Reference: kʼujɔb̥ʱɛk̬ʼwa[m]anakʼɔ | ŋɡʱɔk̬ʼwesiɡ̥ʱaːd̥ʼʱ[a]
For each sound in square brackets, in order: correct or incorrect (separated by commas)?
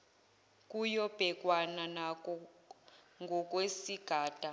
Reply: incorrect, correct